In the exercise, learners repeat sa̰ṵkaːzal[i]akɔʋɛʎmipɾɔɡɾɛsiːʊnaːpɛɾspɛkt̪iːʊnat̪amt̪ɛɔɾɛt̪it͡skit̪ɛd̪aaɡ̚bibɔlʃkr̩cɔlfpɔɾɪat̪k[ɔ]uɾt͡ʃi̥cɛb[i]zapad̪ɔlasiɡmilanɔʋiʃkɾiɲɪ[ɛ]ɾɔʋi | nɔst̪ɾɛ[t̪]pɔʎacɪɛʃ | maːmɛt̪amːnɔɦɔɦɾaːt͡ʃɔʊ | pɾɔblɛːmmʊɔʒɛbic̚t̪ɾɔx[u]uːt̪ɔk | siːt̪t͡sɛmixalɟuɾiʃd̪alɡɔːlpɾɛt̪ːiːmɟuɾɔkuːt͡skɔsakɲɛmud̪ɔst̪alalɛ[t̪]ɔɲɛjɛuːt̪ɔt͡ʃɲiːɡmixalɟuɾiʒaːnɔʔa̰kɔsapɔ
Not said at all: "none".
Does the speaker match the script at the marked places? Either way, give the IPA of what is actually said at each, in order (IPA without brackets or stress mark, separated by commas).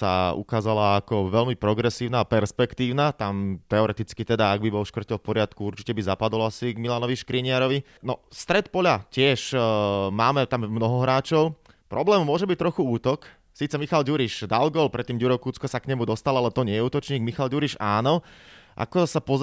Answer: a, u, i, a, t̪, u, t̪